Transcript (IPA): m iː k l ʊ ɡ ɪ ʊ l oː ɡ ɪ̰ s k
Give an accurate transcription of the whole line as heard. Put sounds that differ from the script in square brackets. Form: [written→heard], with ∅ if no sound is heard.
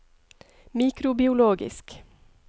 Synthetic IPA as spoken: m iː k [l→ɾ] ʊ [ɡ→b] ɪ ʊ l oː ɡ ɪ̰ s k